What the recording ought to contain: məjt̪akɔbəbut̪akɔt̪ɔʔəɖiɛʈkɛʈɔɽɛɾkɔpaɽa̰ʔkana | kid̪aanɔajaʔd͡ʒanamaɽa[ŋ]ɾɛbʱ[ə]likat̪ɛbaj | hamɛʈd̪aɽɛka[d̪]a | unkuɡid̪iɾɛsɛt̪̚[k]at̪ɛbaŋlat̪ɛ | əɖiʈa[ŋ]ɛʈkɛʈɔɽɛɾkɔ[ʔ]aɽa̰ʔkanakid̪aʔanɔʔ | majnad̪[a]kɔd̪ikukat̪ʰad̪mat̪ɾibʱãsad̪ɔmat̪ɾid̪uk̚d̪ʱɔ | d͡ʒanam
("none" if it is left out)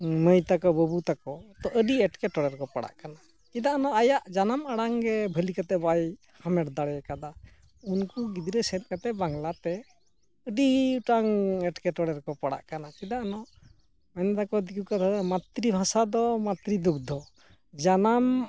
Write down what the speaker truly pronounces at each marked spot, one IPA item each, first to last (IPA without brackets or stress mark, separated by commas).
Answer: ŋ, ə, d̪, k, ŋ, p, a